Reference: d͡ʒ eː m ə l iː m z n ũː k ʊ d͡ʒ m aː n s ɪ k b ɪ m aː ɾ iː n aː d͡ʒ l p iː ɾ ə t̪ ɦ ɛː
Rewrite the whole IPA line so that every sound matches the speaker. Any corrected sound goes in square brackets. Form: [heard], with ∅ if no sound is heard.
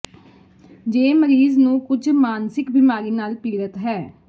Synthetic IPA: d͡ʒ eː m ə [ɾ] iː [∅] z n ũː k ʊ d͡ʒ m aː n s ɪ k b ɪ m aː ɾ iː n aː [∅] l p iː ɾ ə t̪ ɦ ɛː